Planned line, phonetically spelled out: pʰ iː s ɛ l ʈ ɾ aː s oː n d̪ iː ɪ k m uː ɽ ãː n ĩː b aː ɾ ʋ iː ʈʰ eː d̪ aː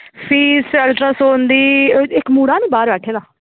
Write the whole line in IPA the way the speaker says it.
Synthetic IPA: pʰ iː s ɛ l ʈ ɾ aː s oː n d̪ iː ɪ k m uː ɽ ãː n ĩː b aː ɾ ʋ ɛː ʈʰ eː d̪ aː

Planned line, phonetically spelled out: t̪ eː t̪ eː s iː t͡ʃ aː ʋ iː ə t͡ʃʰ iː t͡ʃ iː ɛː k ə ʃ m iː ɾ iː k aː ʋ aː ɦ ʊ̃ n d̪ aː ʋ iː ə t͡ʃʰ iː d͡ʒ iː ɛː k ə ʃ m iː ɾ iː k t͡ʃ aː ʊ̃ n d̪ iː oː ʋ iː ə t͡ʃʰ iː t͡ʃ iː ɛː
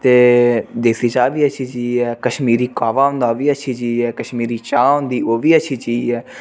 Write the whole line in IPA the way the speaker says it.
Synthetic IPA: t̪ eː d̪ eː s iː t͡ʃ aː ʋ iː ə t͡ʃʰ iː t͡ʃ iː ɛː k ə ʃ m iː ɾ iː k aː ʋ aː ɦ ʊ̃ n d̪ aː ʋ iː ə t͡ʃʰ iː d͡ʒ iː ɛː k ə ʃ m iː ɾ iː t͡ʃ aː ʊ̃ n d̪ iː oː ʋ iː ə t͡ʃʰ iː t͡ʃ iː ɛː

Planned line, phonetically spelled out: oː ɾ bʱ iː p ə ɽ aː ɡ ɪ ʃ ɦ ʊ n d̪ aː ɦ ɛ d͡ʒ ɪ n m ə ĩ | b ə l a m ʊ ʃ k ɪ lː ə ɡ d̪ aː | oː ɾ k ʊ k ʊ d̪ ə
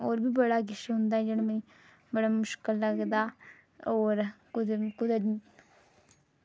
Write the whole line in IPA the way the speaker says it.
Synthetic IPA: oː ɾ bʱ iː b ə ɽ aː ɡ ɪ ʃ ɦ ʊ n d̪ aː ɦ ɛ d͡ʒ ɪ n m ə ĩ | b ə ɽ a m ʊ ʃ k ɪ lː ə ɡ d̪ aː | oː ɾ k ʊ k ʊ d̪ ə

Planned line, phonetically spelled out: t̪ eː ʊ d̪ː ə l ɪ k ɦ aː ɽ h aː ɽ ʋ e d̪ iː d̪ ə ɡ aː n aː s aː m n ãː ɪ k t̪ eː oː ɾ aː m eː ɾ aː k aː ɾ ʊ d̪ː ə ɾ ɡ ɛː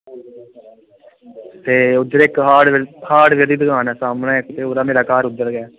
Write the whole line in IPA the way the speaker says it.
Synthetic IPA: t̪ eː ʊ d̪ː ə ɾ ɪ k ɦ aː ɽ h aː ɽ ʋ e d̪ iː d̪ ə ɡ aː n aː s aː m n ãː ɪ k t̪ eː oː ɾ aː m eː ɾ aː k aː ɾ ʊ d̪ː ə ɾ ɡ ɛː

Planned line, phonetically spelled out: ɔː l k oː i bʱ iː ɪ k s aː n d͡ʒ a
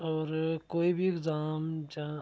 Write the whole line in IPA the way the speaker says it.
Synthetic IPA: ɔː ɾ k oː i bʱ i ɪ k z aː m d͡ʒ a

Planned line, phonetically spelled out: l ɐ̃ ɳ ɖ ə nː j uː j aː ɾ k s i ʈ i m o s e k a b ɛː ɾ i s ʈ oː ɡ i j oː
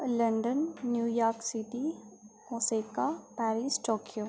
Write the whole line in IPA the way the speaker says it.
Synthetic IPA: l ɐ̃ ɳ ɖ ə nː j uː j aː ɾ k s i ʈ i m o s e k a p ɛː ɾ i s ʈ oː k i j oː

